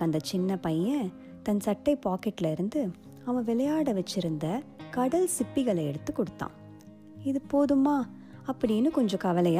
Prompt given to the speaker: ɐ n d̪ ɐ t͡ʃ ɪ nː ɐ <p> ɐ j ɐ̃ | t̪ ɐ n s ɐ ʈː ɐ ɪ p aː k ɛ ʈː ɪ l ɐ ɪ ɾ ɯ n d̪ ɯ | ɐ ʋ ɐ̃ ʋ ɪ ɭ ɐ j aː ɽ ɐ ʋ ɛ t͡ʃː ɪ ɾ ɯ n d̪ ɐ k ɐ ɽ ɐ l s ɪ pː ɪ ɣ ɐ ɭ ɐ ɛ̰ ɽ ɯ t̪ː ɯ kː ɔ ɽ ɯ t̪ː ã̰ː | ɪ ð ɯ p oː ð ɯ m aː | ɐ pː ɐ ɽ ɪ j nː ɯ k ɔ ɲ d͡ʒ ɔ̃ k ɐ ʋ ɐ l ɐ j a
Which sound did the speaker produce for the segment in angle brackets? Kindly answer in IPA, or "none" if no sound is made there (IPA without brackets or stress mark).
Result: p